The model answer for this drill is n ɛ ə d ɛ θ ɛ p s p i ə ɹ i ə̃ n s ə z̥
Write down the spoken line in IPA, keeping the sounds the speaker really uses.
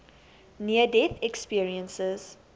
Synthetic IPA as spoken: n i ə d ɛ θ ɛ k s p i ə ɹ i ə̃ n s ə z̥